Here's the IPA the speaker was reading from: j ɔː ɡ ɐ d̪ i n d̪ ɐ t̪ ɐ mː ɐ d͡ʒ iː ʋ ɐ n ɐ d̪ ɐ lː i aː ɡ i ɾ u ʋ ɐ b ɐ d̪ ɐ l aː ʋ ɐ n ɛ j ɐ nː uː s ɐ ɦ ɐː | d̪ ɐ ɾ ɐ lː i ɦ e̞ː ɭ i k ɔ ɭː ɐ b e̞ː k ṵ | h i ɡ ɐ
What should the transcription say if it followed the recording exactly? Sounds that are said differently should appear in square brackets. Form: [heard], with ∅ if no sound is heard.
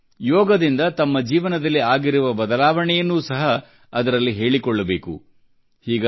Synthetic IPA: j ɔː ɡ ɐ d̪ i n d̪ ɐ t̪ ɐ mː ɐ d͡ʒ iː ʋ ɐ n ɐ d̪ ɐ lː i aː ɡ i ɾ u ʋ ɐ b ɐ d̪ ɐ l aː ʋ ɐ [ɳ] ɛ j ɐ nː uː s ɐ ɦ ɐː | d̪ ɐ ɾ ɐ lː i ɦ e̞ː ɭ i k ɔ ɭː ɐ b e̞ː k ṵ | h [iː] ɡ ɐ